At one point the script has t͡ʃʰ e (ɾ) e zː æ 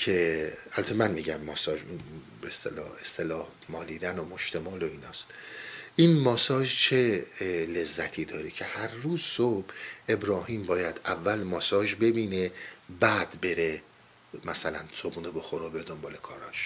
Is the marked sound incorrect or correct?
incorrect